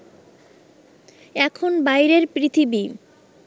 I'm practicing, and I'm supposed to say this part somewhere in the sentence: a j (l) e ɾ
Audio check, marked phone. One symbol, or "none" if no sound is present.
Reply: ɾ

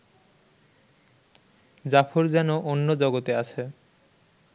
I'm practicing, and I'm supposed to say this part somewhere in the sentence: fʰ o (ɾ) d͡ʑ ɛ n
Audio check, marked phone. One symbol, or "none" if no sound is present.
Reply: ɾ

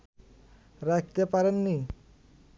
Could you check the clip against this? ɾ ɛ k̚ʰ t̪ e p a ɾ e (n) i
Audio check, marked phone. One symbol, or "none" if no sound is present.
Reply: nː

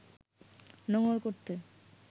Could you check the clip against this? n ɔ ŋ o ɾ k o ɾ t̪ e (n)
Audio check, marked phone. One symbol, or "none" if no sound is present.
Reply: none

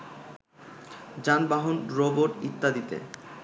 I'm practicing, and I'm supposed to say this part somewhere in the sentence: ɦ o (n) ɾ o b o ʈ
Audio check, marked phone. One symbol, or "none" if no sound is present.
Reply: n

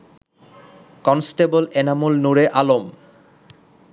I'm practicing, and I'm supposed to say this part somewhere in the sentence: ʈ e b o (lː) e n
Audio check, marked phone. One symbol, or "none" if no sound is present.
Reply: l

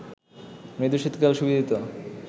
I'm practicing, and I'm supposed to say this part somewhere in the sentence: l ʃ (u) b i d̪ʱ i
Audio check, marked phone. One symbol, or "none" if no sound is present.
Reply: u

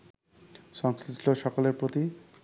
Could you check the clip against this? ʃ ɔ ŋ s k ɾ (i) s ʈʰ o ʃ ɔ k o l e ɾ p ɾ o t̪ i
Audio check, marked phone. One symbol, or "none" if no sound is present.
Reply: i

